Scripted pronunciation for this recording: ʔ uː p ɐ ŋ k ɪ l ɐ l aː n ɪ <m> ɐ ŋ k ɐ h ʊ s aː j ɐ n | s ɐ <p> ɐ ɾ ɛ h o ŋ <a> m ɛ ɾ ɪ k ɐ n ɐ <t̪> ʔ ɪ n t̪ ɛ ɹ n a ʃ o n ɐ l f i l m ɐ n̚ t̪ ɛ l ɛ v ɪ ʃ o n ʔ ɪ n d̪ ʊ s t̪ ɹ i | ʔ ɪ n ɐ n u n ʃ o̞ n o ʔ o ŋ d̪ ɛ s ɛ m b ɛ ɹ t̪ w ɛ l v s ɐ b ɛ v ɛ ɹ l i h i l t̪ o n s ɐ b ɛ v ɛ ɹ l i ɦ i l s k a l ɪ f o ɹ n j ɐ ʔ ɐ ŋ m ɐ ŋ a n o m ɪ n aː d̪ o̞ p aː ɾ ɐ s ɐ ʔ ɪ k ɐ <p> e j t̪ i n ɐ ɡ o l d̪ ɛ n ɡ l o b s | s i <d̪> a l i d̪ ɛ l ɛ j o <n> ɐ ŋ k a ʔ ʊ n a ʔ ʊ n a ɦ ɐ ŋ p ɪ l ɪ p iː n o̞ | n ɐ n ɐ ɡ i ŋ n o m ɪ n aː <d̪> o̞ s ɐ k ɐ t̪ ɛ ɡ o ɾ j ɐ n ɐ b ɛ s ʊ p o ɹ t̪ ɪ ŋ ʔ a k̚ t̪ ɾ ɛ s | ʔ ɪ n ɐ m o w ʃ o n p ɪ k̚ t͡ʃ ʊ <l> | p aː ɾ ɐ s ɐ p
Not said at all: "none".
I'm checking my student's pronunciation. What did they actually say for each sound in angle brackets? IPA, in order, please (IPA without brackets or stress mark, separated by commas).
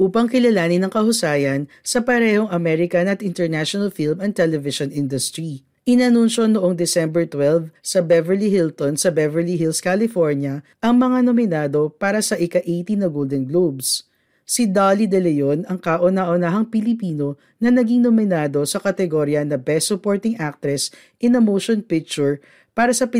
n, p, ɐ, t̪, ʔ, d̪, n, d̪, ɹ